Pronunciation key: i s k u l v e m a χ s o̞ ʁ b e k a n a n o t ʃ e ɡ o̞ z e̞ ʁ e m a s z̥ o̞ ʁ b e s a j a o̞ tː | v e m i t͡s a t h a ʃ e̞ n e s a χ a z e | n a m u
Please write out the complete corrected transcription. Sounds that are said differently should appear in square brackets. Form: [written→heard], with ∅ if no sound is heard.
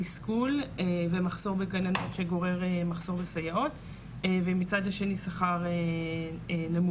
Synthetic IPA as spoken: i s k u l v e m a χ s o̞ ʁ b e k a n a n o t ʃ e ɡ o̞ [z→ʁ] e̞ ʁ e m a [s→χ] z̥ o̞ ʁ b e s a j a o̞ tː | v e m i t͡s a [t→d] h a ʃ e̞ n [e→i] s a χ a [z→ʁ] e | n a m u